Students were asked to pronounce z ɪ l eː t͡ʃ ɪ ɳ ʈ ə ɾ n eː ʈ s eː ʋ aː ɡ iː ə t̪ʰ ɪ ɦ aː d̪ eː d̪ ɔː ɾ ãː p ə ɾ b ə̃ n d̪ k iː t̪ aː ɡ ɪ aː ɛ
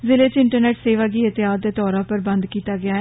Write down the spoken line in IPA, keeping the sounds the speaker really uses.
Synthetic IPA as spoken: z ɪ l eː t͡ʃ ɪ ɳ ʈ ə ɾ n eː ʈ s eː ʋ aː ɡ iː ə t̪ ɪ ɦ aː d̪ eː t̪ ɔː ɾ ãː p ə ɾ b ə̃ n d̪ k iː t̪ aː ɡ ɪ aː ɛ